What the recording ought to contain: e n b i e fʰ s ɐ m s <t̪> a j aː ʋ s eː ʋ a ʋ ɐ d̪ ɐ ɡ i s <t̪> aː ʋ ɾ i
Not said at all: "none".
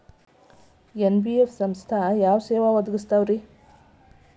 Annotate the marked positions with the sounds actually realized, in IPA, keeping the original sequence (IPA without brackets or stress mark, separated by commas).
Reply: t̪ʰ, t̪